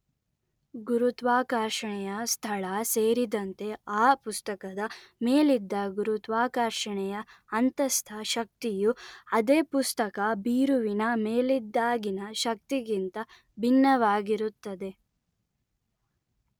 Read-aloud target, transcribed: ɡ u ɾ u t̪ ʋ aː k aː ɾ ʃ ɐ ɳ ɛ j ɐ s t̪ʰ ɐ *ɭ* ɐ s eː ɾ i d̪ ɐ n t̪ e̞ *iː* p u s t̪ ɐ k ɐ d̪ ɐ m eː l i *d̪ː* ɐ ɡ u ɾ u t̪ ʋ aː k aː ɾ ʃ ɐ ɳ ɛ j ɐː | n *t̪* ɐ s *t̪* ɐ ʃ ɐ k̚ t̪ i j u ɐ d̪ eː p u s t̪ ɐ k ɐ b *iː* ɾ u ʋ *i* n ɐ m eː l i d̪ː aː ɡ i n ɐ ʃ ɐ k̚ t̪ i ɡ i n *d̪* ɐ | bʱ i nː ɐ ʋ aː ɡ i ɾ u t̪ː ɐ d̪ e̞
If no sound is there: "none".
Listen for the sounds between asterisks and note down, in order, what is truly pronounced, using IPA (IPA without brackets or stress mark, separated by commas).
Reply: ɭ, aː, d̪ː, t̪, t̪ʰ, iː, i, t̪